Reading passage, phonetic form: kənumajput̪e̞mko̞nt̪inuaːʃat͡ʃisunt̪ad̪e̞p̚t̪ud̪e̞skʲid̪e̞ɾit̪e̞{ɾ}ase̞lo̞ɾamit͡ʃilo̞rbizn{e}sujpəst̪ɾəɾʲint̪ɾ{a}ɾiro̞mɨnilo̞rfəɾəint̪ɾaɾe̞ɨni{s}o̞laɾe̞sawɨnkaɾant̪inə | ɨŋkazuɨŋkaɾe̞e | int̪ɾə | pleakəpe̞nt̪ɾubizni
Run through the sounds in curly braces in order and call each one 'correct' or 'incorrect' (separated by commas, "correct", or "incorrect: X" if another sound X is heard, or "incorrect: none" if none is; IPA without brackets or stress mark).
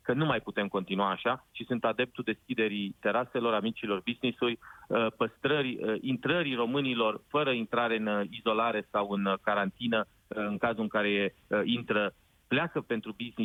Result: correct, incorrect: i, incorrect: ə, incorrect: z